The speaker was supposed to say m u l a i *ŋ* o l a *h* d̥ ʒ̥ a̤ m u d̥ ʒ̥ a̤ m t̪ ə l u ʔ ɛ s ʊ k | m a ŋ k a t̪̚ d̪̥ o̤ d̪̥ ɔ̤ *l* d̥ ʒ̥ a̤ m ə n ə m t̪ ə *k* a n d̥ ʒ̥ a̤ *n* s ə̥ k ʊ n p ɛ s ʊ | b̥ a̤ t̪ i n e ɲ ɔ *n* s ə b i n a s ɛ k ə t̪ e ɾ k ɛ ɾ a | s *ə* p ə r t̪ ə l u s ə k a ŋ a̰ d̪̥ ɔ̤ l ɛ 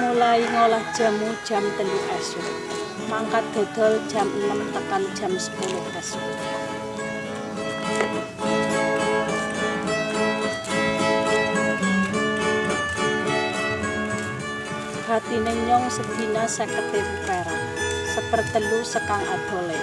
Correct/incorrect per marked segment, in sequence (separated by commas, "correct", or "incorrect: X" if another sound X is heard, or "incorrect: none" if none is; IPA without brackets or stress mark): correct, correct, correct, correct, incorrect: m, incorrect: ŋ, correct